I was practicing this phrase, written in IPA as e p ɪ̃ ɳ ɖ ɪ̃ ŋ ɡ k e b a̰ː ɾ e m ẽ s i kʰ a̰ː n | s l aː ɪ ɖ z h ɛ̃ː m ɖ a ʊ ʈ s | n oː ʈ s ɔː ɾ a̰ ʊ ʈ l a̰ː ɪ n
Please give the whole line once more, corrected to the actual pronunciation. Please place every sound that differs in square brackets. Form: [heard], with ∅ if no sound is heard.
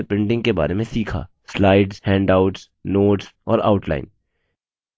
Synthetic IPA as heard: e p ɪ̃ ɳ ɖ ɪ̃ ŋ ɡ k e b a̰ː ɾ e m ẽ s [iː] kʰ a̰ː [∅] | s l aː ɪ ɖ z h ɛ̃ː [ɳ] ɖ a ʊ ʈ s | n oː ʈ s ɔː ɾ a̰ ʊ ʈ l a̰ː ɪ n